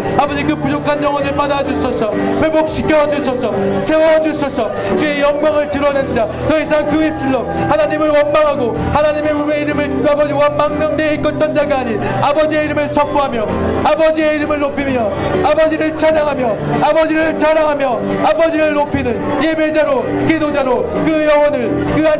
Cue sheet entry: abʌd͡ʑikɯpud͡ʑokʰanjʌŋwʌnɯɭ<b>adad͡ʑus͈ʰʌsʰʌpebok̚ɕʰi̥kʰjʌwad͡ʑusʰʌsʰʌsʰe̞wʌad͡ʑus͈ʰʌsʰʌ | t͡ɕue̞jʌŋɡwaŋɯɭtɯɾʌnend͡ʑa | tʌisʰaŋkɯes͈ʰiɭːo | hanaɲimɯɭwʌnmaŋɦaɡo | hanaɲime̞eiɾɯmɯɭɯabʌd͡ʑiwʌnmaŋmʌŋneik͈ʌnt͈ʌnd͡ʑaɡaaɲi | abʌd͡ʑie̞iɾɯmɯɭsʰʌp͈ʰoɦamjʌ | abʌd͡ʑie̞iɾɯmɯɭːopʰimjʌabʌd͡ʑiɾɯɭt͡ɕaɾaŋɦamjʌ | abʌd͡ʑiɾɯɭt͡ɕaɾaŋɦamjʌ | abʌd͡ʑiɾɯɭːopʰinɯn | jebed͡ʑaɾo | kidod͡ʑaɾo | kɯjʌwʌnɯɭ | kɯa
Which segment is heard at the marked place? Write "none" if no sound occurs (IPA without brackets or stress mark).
p